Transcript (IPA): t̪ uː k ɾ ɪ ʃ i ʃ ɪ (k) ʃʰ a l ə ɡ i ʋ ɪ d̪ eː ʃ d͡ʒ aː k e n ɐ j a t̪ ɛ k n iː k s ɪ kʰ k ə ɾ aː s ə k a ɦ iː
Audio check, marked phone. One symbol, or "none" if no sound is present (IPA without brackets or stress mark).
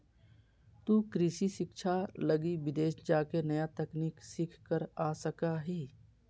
k